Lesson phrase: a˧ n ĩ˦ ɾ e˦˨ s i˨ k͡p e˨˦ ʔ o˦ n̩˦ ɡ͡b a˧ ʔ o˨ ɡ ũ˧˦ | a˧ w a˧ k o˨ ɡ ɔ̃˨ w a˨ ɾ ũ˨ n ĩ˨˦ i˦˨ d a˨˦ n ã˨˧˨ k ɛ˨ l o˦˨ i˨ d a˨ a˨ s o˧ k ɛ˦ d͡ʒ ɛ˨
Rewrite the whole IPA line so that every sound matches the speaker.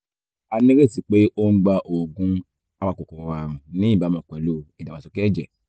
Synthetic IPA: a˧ n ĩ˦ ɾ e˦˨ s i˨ k͡p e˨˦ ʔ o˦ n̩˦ ɡ͡b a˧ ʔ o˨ ɡ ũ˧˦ | a˧ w a˧ k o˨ k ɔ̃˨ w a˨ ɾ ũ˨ n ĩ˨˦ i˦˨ b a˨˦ m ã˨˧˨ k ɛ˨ l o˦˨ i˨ d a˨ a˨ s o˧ k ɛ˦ d͡ʒ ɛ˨

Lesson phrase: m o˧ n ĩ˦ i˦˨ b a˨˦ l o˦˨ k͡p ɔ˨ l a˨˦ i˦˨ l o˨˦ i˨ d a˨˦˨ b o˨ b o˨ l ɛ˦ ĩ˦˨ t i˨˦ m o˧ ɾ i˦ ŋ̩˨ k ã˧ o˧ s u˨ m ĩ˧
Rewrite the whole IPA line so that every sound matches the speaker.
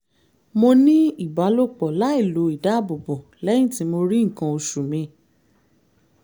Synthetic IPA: m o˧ n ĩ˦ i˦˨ b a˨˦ l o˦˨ k͡p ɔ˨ l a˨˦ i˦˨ l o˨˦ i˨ d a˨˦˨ b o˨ b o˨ l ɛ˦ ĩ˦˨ t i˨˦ m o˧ ɾ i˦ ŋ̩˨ k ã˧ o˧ ʃ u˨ m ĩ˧

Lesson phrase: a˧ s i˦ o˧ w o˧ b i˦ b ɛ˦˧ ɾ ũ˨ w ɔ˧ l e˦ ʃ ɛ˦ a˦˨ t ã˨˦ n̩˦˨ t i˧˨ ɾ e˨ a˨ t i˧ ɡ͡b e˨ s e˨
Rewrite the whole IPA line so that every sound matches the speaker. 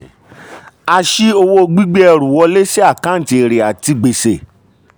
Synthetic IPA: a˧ ʃ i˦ o˧ w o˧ ɡ͡b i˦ ɡ͡b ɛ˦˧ ɾ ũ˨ w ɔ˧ l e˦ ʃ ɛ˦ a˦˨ k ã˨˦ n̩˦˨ t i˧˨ ɾ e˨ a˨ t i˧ ɡ͡b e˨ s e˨

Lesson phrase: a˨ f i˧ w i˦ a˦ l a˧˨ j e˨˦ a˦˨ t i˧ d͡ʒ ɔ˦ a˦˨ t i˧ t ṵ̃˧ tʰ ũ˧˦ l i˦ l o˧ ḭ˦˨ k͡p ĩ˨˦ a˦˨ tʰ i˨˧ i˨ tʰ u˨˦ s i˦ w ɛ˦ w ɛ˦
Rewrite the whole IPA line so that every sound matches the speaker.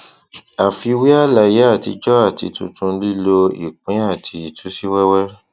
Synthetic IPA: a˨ f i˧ w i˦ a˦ l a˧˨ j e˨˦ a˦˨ t i˧ d͡ʒ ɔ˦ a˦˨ t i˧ t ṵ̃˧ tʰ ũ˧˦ l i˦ l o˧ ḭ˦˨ k͡p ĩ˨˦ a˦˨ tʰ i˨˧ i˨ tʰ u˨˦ s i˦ w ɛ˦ w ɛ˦

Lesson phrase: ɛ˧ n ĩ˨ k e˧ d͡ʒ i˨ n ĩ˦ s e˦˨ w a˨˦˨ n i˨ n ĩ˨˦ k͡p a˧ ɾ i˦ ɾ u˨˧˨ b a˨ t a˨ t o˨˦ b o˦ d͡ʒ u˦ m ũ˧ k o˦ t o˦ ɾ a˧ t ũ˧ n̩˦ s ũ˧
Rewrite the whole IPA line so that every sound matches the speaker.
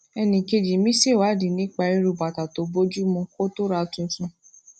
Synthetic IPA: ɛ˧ n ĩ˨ k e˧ d͡ʒ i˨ m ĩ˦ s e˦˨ w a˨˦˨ d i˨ n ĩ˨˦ k͡p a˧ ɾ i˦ ɾ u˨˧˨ b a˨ t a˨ t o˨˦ b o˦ d͡ʒ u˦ m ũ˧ k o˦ t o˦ ɾ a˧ t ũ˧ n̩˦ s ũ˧

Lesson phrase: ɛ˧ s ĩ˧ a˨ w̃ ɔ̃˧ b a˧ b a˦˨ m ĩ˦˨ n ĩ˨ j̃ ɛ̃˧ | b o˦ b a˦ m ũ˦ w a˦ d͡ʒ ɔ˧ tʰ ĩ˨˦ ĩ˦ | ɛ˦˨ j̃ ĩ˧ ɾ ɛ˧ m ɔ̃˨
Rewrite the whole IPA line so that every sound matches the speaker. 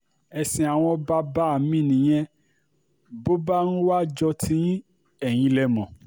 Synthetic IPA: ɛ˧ s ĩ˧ a˨ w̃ ɔ̃˧ b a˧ b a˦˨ m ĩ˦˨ n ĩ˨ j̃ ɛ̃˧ | b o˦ b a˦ n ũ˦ w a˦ d͡ʒ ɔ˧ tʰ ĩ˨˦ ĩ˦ | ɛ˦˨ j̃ ĩ˧ l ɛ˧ m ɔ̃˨

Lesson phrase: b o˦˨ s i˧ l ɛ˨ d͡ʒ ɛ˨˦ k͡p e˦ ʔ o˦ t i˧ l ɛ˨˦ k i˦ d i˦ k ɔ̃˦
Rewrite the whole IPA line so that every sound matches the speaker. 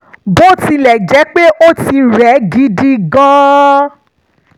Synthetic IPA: b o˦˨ t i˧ l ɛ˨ d͡ʒ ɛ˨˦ k͡p e˦ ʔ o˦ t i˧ ɾ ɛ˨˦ ɡ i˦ d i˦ ɡ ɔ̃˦

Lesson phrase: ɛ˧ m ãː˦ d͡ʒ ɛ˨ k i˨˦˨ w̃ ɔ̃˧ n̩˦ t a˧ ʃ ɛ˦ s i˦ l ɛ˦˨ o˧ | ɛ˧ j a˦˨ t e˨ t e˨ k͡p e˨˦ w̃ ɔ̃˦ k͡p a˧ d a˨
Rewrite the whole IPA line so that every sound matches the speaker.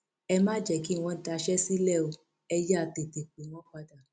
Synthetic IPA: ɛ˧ m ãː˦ d͡ʒ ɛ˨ k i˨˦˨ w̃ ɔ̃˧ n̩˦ t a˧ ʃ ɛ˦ s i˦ l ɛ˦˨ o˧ | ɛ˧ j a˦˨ t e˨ t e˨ k͡p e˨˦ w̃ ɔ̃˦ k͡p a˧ d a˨

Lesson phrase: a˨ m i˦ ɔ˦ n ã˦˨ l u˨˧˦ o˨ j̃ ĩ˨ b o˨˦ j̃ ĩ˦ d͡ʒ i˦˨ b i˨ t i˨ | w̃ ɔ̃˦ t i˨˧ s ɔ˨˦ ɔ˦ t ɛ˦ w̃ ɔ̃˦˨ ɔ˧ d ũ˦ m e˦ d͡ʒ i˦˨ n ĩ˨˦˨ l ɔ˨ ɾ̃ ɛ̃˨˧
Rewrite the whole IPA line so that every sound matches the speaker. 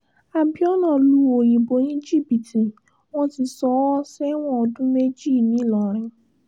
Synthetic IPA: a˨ b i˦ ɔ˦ n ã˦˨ l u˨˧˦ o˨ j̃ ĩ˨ b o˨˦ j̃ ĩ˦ d͡ʒ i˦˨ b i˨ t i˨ | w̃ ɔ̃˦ t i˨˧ s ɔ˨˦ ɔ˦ s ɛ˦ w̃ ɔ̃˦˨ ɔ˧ d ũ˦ m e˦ d͡ʒ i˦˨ n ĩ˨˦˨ l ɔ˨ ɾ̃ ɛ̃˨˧

